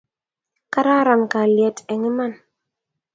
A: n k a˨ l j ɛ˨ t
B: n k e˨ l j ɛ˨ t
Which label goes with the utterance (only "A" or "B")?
A